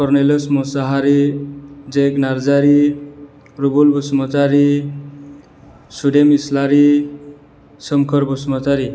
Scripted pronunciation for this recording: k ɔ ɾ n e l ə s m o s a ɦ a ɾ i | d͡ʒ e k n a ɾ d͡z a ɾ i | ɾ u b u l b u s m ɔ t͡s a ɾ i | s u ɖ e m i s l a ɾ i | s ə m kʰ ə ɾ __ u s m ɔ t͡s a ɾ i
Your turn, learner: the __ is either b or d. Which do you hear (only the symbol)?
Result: b